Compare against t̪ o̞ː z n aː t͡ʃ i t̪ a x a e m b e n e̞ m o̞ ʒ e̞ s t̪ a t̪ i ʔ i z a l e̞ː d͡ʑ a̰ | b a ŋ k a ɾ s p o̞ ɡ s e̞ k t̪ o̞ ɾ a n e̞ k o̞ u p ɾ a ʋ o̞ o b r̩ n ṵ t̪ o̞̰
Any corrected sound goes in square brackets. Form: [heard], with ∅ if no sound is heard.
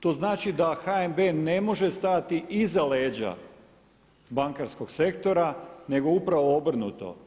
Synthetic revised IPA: t̪ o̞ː z n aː t͡ʃ i [d̪] a x a e m b e n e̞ m o̞ ʒ e̞ s t̪ a t̪ i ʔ i z a l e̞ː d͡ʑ a̰ | b a ŋ k a ɾ s [k] o̞ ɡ s e̞ k t̪ o̞ ɾ a n e̞ [ɡ] o̞ u p ɾ a ʋ o̞ o b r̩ n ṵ t̪ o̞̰